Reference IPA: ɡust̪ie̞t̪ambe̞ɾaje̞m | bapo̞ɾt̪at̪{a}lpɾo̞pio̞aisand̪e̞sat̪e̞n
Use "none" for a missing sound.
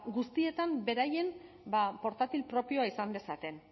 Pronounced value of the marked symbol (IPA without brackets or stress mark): i